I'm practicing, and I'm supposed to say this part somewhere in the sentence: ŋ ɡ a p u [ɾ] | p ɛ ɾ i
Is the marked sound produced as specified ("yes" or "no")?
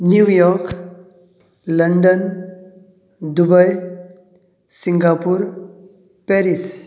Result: yes